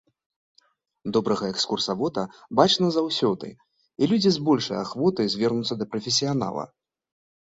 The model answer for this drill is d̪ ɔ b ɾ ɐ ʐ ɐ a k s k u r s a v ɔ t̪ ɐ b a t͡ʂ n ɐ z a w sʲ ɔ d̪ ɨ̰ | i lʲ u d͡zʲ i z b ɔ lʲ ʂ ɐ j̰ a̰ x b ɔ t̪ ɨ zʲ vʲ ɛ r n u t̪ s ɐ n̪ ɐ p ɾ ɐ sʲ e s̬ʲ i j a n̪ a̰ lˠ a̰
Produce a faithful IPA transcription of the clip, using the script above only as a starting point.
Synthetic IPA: d̪ ɔ b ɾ ɐ ɣ ɐ ɛ k s k u r s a v ɔ t̪ ɐ b a t͡ʂ n ɐ z a w sʲ ɔ d̪ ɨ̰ | i lʲ u d͡zʲ i z b ɔ lʲ ʂ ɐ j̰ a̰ x v ɔ t̪ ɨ zʲ vʲ ɛ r n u t̪ s ɐ d̪ ɐ p ɾ ɐ fʲ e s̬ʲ i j a n̪ a̰ lˠ ɐ̰